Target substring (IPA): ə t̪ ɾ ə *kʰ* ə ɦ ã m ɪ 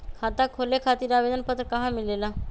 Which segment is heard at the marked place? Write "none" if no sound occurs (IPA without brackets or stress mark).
k